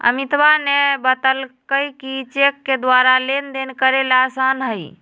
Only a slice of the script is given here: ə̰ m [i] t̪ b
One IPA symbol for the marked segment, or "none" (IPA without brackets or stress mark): i